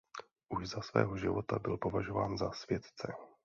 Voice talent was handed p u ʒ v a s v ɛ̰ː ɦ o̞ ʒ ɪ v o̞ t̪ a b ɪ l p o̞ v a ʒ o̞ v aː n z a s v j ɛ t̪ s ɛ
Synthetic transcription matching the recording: ʔ u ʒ z a s v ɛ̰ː ɦ o̞ ʒ ɪ v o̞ t̪ a b ɪ l p o̞ v a ʒ o̞ v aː n z a s v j ɛ t̪ t͡s ɛ